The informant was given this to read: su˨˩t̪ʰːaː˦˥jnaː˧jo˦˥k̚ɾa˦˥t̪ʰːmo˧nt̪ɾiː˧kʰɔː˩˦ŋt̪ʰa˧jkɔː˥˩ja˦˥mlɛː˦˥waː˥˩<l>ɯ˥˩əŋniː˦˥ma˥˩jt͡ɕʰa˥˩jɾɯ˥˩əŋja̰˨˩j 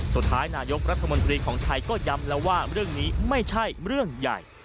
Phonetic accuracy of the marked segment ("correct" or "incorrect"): incorrect